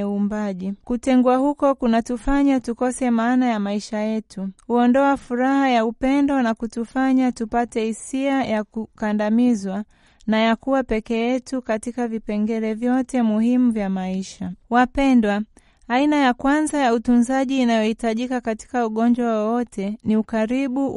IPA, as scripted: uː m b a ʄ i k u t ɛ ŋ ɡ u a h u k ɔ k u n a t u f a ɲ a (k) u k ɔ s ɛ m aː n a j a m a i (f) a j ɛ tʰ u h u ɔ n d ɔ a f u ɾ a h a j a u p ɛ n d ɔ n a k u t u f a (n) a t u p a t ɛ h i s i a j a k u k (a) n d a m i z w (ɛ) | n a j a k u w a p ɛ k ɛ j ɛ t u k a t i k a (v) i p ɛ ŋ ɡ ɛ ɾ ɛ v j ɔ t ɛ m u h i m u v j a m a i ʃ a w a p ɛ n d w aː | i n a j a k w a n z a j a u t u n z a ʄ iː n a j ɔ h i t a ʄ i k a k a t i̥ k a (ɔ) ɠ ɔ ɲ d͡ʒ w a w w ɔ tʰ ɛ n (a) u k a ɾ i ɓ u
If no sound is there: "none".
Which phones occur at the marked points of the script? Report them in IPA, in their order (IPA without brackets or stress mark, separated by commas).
t, ʃ, ɲ, a, a, v, u, i